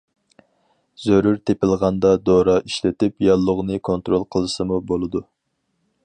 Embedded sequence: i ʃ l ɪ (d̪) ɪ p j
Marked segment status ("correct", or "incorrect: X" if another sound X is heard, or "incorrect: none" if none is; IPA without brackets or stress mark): incorrect: t̪